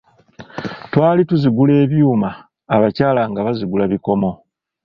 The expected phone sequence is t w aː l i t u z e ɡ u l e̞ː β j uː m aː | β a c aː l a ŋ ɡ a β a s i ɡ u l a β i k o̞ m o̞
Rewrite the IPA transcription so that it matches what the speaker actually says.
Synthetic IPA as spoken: t w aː l i t u z i ɡ u l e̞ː β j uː m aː | β a c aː l a ŋ ɡ a β a z i ɡ u l a β i k o̞ m o̞